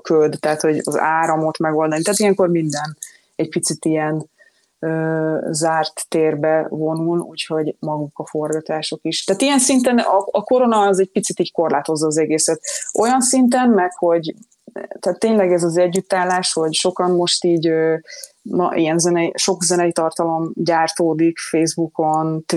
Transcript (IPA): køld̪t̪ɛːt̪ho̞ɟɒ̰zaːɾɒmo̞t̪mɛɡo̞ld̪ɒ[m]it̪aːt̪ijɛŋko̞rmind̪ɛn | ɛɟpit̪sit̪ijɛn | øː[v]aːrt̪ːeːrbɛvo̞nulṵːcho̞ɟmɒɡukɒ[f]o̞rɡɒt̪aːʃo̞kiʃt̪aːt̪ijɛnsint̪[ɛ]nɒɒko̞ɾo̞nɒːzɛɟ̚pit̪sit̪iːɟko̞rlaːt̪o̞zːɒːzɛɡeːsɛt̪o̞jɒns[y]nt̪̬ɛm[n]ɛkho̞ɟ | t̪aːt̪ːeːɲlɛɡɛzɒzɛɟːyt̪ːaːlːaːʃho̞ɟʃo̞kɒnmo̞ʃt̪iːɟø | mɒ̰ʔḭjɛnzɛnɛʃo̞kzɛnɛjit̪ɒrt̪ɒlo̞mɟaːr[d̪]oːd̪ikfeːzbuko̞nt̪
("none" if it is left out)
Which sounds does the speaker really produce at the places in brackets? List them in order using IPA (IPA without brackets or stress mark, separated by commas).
n, z, f, ɛ, i, m, t̪